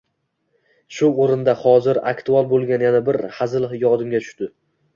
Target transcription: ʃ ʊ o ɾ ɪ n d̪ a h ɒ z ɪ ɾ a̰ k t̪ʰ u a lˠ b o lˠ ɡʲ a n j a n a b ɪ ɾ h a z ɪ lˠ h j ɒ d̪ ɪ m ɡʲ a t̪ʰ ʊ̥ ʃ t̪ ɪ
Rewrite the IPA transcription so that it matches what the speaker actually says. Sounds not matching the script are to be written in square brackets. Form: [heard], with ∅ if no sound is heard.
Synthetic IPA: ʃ ʊ o ɾ ɪ n d̪ a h ɒ z ɪ ɾ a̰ k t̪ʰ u a lˠ b o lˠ ɡʲ a n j a n a b ɪ ɾ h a z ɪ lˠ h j ɒ d̪ ɪ m ɡʲ a t̪ʰ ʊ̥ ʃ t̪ ɪ